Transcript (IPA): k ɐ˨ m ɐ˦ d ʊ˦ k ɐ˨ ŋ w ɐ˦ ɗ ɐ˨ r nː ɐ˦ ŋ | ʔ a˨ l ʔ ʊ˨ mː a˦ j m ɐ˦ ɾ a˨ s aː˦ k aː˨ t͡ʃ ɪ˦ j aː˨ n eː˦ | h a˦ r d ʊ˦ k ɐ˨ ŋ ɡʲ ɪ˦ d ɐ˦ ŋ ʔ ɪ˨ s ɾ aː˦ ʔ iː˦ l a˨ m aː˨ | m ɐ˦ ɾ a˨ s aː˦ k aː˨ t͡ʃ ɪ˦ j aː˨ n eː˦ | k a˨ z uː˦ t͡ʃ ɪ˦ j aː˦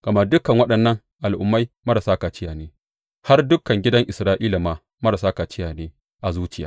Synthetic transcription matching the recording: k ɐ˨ m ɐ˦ d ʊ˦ k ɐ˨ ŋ w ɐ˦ ɗ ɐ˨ nː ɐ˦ ŋ | ʔ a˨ l ʔ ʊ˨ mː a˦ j m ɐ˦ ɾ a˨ s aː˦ k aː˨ t͡ʃ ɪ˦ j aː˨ n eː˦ | h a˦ r d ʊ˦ k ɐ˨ ŋ ɡʲ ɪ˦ d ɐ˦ ŋ ʔ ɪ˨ s ɾ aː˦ ʔ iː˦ l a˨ m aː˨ | m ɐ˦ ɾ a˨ s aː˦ k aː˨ t͡ʃ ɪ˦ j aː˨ n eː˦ | ʔ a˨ z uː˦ t͡ʃ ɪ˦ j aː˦